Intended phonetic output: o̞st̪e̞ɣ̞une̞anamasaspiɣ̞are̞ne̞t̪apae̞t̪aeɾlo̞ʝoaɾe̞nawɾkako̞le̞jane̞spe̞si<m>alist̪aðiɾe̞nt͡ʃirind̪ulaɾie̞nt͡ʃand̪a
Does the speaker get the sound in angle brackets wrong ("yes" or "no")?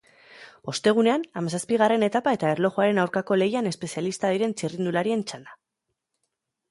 yes